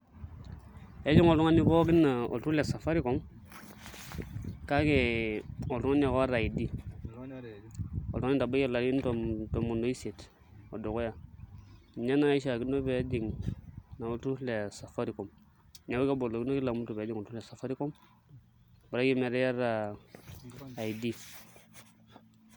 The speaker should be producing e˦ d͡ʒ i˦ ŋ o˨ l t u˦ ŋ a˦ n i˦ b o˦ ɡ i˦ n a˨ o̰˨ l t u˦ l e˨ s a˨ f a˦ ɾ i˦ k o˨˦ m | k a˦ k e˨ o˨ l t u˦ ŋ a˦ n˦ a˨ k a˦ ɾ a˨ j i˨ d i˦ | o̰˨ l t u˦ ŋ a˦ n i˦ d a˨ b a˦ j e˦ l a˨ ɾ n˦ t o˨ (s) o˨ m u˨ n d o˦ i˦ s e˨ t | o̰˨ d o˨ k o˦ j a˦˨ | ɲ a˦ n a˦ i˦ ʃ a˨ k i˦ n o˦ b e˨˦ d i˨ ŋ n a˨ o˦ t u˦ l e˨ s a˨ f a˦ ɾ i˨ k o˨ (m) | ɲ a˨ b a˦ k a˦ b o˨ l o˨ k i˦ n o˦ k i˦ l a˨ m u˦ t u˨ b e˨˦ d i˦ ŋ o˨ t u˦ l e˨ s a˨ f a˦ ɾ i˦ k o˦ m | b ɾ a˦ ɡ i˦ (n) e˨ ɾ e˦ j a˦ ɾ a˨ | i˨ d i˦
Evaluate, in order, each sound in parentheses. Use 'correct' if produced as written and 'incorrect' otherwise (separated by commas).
incorrect, correct, incorrect